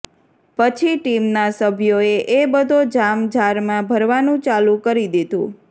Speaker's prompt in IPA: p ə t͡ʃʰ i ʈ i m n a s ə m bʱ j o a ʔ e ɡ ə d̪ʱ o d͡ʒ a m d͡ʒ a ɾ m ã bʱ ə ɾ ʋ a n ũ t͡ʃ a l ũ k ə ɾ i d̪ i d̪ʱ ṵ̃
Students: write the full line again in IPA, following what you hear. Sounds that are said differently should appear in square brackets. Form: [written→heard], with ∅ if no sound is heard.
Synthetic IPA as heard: p ə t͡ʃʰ i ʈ i m n a s ə [m→∅] bʱ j o [a→e] ʔ e [ɡ→b] ə d̪ʱ o d͡ʒ a m d͡ʒ a ɾ m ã bʱ ə ɾ ʋ a n ũ t͡ʃ a l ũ k ə ɾ i d̪ i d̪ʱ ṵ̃